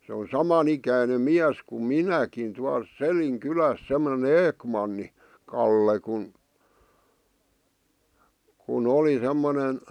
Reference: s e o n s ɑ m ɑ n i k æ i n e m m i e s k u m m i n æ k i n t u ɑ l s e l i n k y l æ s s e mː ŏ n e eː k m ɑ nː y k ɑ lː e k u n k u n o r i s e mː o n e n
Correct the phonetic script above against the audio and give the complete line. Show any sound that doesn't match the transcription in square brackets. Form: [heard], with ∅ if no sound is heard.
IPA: s e o n s ɑ m ɑ n i k æ i n e m m i [æ] s k u m m i n æ k i n t u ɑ l s e l i n k y l æ s s e mː ŏ n e eː k m ɑ nː [i] k ɑ lː e k u n k u n o [l] i s e mː o n e n